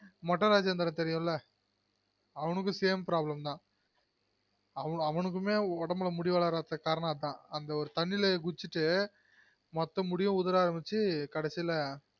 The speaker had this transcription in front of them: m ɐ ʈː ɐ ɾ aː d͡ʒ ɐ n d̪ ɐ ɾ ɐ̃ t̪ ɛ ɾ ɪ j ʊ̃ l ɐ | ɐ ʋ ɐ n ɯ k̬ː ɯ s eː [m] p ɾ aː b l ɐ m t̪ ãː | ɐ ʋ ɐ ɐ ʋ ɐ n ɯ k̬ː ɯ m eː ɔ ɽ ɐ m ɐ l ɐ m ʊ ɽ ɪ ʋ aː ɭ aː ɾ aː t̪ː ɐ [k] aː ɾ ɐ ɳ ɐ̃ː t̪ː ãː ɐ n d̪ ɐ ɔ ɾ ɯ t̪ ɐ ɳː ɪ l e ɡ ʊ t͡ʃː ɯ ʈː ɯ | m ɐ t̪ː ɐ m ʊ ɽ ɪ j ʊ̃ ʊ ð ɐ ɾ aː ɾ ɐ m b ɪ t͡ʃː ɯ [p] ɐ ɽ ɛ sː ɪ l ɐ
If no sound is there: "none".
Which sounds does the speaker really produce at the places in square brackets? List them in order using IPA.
m, k, k

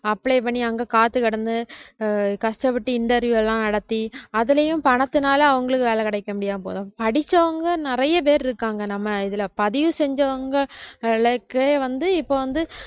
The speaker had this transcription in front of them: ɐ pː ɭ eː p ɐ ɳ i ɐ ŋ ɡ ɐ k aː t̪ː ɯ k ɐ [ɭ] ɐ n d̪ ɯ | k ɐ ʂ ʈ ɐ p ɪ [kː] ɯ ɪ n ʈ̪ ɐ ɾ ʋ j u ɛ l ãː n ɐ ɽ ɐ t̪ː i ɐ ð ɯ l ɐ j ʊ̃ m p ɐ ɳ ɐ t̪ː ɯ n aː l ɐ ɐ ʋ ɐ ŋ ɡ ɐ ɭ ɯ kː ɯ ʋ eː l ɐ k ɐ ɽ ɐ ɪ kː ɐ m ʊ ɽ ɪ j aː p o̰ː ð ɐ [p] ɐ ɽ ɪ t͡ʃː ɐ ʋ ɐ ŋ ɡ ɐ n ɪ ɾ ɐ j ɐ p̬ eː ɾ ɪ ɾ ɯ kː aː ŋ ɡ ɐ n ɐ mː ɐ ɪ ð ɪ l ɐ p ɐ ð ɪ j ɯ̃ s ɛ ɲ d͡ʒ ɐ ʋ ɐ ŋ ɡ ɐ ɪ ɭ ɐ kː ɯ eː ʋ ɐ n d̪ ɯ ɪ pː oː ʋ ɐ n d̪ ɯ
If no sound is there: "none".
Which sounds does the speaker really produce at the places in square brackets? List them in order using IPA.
ɽ, ʈː, p

